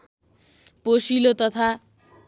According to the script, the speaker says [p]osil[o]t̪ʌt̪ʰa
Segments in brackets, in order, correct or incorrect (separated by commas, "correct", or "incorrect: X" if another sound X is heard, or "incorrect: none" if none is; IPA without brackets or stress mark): correct, correct